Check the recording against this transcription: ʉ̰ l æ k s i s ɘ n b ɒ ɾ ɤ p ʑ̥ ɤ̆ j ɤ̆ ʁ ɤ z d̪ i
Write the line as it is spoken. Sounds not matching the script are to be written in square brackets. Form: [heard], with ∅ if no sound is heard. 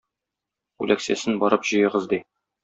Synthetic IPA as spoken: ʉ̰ l æ k s [æ] s ɘ n b ɒ ɾ ɤ p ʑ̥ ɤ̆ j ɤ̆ ʁ ɤ z d̪ i

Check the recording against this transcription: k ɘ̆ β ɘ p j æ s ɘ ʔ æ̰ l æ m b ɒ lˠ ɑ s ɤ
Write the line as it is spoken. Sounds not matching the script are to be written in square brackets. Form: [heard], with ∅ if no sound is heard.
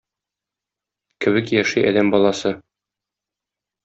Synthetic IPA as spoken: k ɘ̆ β ɘ [k] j æ [ʃ] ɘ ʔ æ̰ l æ m b ɒ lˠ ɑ s ɤ

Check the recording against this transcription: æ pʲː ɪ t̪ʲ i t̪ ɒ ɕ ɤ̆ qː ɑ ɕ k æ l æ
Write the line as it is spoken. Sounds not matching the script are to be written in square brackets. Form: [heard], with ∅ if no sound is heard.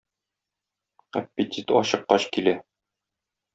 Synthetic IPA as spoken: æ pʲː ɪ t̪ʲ i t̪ ɒ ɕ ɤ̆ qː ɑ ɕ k [i] l æ

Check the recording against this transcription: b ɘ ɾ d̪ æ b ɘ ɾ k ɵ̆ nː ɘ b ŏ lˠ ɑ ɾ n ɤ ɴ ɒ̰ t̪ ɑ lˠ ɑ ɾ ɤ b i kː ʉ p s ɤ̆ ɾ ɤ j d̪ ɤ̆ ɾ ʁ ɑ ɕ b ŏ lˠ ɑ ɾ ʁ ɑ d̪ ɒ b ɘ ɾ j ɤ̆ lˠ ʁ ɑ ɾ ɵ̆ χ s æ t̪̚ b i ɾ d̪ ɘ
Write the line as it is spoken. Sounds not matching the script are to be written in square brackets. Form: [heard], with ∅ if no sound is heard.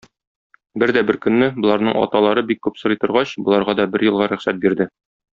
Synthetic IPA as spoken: b ɘ ɾ d̪ æ b ɘ ɾ k ɵ̆ nː ɘ b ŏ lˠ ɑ ɾ n ɤ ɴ ɒ̰ t̪ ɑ lˠ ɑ ɾ ɤ b i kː ʉ p s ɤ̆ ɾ ɤ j [t̪] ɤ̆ ɾ ʁ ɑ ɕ b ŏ lˠ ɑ ɾ ʁ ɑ d̪ ɒ b ɘ ɾ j ɤ̆ lˠ ʁ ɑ ɾ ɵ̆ χ s æ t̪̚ b i ɾ d̪ ɘ

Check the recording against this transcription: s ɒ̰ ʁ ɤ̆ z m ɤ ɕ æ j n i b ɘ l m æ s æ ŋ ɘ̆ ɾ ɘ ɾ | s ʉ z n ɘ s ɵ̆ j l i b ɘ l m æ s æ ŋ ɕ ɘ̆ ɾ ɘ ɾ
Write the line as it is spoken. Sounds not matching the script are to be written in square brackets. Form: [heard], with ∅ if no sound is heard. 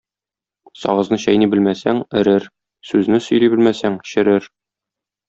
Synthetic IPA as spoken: s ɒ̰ ʁ ɤ̆ z [n] ɤ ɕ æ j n i b ɘ l m æ s æ ŋ ɘ̆ ɾ ɘ ɾ | s ʉ z n ɘ s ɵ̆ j l i b ɘ l m æ s æ ŋ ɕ ɘ̆ ɾ ɘ ɾ

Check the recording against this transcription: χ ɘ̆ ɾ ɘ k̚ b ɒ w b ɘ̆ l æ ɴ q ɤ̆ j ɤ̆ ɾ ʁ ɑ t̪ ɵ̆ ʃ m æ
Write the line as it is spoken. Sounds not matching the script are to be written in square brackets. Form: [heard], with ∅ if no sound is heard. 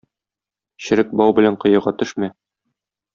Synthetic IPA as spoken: [ɕ] ɘ̆ ɾ ɘ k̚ b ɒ w b ɘ̆ l æ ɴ q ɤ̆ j ɤ̆ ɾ ʁ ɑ t̪ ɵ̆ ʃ m æ

